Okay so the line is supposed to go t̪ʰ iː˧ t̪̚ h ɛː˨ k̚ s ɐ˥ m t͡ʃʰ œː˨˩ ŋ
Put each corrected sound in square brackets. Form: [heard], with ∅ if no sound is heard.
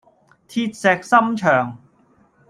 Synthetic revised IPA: t̪ʰ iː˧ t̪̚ [s] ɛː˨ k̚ s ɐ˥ m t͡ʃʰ œː˨˩ ŋ